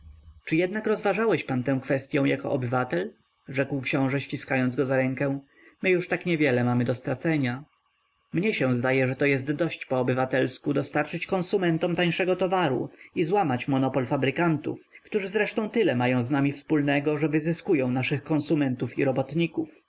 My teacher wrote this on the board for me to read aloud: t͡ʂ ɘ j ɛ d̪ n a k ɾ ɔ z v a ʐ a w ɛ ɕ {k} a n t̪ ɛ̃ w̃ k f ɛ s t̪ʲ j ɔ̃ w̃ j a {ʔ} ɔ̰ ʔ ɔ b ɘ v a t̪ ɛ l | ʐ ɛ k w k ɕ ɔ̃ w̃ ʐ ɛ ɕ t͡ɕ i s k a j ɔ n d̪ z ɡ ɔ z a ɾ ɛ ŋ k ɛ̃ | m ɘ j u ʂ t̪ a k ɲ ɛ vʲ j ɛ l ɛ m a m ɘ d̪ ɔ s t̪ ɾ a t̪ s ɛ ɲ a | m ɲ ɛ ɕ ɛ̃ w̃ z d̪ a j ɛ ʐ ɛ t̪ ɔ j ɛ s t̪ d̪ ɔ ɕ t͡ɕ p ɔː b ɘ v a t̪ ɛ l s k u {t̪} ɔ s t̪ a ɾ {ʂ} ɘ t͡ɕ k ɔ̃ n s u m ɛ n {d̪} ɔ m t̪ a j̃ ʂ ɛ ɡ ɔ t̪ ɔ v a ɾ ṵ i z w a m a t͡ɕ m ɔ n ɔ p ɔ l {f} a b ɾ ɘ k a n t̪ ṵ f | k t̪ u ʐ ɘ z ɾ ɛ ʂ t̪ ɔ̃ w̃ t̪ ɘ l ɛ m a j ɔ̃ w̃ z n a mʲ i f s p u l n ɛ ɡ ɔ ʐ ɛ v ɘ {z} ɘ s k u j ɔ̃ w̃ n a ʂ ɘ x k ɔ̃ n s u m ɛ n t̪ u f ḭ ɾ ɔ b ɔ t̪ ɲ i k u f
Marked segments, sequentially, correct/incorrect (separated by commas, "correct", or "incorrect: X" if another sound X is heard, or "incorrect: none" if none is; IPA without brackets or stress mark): incorrect: p, incorrect: k, incorrect: d̪, incorrect: t͡ʂ, incorrect: t̪, correct, correct